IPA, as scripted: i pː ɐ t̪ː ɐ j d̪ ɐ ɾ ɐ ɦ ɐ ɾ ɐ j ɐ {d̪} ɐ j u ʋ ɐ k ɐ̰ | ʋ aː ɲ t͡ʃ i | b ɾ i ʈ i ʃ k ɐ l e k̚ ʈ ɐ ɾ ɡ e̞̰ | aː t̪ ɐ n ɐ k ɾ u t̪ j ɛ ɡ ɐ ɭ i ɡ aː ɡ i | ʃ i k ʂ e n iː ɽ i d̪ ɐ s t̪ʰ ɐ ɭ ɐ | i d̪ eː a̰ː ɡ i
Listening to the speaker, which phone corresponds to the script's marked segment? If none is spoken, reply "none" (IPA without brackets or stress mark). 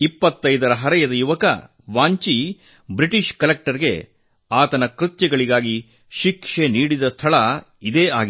d̪